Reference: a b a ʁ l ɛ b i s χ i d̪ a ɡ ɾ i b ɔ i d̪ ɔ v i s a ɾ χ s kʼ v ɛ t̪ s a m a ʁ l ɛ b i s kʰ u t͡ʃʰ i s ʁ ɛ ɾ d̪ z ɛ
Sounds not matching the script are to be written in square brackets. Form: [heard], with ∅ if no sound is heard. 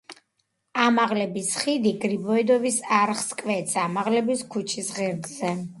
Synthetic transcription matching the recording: a [m] a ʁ l ɛ b i s χ i d̪ [i] ɡ ɾ i b ɔ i d̪ ɔ v i s a ɾ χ s kʼ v ɛ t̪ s a m a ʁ l ɛ b i s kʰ u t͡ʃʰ i s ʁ ɛ ɾ d̪ z ɛ